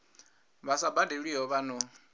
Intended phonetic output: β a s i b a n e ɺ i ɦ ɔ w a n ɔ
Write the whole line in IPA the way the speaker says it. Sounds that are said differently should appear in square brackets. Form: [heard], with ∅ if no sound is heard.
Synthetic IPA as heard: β a s [a] b a [d] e ɺ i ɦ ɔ [β] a n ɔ

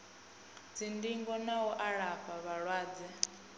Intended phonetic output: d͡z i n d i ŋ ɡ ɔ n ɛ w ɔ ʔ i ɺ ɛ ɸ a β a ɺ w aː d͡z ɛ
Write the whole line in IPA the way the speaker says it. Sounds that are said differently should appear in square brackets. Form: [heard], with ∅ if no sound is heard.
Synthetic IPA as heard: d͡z i n d i ŋ ɡ ɔ n [a] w ɔ ʔ [a] ɺ [a] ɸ a β a ɺ w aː d͡z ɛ

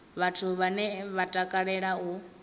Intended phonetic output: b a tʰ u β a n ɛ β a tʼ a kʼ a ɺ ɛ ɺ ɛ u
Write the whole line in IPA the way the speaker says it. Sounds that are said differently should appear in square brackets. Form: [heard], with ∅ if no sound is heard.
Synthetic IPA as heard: [β] a tʰ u β a n ɛ β a tʼ a kʼ a ɺ ɛ ɺ [a] u

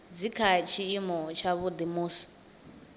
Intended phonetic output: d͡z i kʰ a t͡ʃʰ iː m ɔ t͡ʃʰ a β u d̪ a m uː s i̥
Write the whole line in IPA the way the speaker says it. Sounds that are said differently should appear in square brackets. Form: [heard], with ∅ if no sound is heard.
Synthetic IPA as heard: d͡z i kʰ a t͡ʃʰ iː m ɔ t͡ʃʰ a β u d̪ [i] m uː s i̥

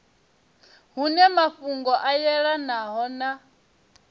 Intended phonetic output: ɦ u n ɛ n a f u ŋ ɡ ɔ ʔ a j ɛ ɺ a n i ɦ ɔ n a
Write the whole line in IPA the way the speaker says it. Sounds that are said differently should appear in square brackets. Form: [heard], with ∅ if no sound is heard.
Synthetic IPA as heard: ɦ u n ɛ [m] a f u ŋ ɡ ɔ ʔ a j ɛ ɺ a n [a] ɦ ɔ n a

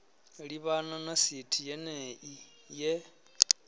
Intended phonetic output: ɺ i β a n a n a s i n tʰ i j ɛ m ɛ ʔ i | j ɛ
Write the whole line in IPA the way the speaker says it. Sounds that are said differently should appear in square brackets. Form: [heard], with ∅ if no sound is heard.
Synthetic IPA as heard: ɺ i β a n a n a s i [∅] tʰ i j ɛ [n] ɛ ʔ i | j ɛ

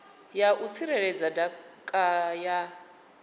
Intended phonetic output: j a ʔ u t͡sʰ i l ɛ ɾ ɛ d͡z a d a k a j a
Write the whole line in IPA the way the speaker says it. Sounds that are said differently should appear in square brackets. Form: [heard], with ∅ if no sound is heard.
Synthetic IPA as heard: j a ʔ u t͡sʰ i [ɾ] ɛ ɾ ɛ d͡z a d a [kʼ] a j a

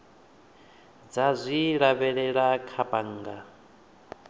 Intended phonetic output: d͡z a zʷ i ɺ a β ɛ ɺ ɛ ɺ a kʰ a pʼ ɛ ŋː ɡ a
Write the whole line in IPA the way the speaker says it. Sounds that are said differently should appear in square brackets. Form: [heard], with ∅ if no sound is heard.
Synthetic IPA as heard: d͡z a zʷ i ɺ a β ɛ ɺ ɛ ɺ a kʰ a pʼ [a] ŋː ɡ a

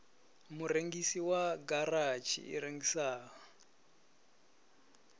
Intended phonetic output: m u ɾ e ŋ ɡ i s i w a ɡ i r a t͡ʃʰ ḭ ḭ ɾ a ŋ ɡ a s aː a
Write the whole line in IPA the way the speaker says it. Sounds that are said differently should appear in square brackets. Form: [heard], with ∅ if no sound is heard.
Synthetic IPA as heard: m u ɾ e ŋ ɡ i s i w a ɡ [a] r a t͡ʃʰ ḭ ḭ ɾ [e] ŋ ɡ [i] s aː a

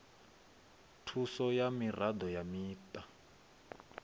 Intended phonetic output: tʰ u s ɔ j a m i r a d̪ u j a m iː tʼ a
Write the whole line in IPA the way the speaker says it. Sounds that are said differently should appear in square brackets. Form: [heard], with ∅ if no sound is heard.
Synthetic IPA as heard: tʰ u s ɔ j a m i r a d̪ [ɔ] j a m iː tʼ a

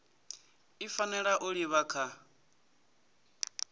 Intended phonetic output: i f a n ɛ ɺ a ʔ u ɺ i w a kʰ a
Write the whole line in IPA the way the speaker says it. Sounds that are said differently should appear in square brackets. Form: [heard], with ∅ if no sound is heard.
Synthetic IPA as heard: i f a n ɛ ɺ a ʔ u ɺ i [β] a kʰ a

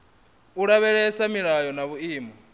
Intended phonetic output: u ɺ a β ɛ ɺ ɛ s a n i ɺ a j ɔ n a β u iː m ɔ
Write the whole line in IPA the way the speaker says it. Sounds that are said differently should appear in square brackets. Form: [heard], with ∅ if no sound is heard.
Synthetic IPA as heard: u ɺ a β ɛ ɺ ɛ s a [m] i ɺ a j ɔ n a β u iː m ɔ

